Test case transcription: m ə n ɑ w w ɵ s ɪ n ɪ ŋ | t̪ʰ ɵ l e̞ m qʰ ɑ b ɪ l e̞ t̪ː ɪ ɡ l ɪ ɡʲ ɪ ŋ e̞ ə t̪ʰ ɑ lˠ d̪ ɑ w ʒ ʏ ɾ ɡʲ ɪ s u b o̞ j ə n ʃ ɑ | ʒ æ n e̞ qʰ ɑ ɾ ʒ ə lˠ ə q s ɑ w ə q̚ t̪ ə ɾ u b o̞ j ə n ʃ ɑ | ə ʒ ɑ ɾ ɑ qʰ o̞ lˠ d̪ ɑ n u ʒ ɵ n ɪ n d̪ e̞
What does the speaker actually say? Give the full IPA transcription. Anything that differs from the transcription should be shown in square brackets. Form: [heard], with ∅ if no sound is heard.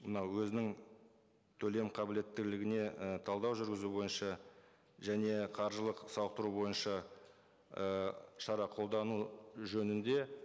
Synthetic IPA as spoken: m ə n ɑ w w ɵ [z] ɪ n ɪ ŋ | t̪ʰ ɵ l e̞ m qʰ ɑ b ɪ l e̞ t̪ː ɪ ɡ l ɪ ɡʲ ɪ [n] e̞ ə t̪ʰ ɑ lˠ d̪ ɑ w ʒ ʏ ɾ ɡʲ ɪ [z] u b o̞ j ə n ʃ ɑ | ʒ æ n e̞ qʰ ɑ ɾ ʒ ə lˠ ə q s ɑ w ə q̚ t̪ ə ɾ u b o̞ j ə n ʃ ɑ | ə [ʃ] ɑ ɾ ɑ qʰ o̞ lˠ d̪ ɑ n u ʒ ɵ n ɪ n d̪ e̞